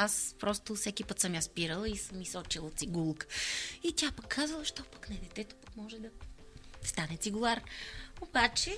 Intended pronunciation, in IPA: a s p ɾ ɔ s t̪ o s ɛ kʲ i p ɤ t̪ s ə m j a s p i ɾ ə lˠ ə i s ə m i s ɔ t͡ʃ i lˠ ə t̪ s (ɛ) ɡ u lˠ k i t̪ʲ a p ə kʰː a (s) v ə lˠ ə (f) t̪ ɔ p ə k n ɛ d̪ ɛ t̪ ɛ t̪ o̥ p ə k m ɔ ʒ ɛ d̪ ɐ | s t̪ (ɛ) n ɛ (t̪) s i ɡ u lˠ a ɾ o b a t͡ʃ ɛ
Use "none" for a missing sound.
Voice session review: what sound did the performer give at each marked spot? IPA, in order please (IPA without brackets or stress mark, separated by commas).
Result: i, z, ʃ, a, t̪